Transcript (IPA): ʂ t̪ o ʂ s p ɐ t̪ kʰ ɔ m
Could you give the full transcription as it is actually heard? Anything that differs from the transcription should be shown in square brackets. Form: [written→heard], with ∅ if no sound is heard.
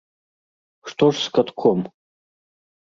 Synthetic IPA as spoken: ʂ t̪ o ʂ s [p→k] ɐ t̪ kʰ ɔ m